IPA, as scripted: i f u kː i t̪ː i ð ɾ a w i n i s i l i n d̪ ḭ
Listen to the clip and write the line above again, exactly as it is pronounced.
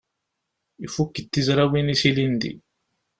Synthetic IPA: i f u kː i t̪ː i z ɾ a w i n i s i l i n d̪ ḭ